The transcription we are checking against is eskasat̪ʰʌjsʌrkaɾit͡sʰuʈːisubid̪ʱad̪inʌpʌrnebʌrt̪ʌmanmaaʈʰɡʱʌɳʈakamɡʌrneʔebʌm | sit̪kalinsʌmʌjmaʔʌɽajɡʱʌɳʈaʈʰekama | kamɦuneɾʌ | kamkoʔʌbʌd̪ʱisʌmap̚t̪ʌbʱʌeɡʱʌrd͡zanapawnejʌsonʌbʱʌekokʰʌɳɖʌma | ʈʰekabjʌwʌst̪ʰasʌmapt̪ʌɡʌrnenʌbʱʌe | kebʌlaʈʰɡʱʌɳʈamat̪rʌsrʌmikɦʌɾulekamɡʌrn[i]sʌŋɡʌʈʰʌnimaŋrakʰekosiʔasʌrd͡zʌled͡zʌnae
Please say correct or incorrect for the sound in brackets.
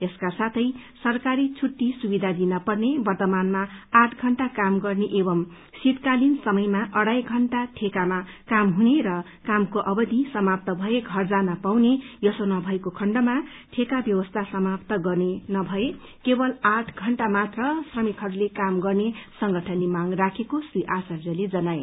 incorrect